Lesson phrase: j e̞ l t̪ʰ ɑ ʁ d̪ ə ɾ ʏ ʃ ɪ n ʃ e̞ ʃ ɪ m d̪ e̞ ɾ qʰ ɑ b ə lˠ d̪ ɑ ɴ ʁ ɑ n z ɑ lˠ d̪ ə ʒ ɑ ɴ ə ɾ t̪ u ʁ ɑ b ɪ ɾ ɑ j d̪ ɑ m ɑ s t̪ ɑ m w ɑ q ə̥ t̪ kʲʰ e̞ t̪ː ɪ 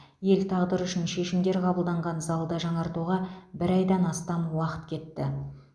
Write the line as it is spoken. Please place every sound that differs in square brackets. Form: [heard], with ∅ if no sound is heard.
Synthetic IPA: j e̞ l t̪ʰ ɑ ʁ d̪ ə ɾ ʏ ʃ ɪ n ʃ e̞ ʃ ɪ m d̪ e̞ ɾ qʰ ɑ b ə lˠ d̪ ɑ ɴ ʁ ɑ n z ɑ lˠ d̪ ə ʒ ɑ ɴ [ɑ] ɾ t̪ u ʁ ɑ b ɪ ɾ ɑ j d̪ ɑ [n] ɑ s t̪ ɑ m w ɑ q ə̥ t̪ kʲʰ e̞ t̪ː ɪ